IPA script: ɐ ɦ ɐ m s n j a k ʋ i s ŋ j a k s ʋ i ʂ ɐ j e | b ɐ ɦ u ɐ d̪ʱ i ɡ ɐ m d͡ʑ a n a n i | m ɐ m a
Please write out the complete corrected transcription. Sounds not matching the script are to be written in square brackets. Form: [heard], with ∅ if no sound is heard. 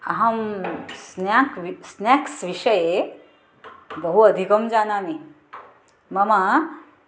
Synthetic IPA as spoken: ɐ ɦ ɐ m s n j a k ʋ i s [n] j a k s ʋ i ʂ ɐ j e | b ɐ ɦ u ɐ d̪ʱ i [k] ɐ m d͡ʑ a n a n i | m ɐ m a